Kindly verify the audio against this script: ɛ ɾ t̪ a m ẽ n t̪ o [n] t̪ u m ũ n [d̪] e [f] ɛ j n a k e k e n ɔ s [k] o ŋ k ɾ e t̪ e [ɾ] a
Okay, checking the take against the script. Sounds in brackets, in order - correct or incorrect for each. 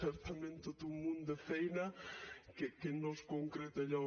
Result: incorrect: none, correct, correct, correct, incorrect: ʎ

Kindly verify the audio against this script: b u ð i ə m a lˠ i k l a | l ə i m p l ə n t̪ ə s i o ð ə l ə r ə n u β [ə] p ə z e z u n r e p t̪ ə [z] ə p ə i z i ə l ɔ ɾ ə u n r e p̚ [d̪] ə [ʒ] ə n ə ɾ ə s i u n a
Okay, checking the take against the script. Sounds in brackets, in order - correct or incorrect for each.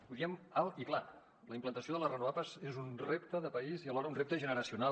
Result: incorrect: a, incorrect: ð, incorrect: t̪, correct

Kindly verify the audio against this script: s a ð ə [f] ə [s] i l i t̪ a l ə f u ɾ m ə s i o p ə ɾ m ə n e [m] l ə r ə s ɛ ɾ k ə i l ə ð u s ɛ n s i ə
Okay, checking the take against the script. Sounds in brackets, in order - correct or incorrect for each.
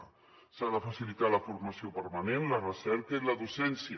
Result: correct, correct, incorrect: n

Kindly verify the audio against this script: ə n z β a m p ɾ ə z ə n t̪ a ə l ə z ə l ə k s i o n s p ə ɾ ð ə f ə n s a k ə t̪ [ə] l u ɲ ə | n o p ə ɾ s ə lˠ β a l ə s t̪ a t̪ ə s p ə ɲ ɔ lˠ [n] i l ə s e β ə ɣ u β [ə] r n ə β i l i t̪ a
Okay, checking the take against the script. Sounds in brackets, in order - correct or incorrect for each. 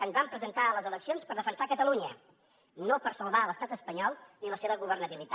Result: correct, correct, correct

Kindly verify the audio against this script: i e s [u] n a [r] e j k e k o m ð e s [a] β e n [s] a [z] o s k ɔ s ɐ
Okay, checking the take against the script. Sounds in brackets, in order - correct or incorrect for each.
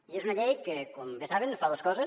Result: correct, incorrect: ʎ, correct, incorrect: f, incorrect: ð

